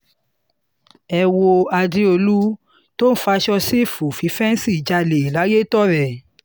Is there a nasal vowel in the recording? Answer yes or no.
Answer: no